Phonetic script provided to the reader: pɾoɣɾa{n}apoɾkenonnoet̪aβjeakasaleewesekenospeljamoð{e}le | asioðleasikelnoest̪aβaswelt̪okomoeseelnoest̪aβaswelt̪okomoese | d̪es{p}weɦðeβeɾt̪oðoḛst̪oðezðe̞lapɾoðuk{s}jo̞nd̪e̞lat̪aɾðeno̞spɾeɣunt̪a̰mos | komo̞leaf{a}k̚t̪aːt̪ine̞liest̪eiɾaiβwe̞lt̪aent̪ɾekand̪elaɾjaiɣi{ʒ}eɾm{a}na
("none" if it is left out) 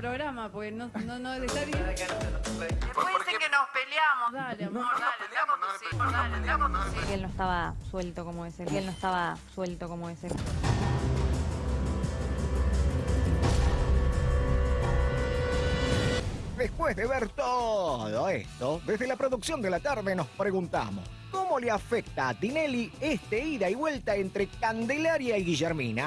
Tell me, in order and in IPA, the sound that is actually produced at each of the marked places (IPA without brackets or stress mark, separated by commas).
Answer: m, a, p, s, e, ʒ, i